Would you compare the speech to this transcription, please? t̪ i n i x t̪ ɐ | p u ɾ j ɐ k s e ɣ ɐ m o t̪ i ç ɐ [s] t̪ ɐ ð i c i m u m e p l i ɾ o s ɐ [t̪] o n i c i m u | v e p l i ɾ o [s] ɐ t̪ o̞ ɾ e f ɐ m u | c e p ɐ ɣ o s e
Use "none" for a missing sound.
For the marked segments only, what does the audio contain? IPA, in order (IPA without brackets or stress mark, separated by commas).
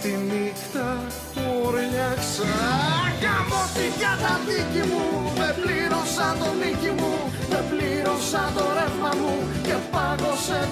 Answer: none, t̪, s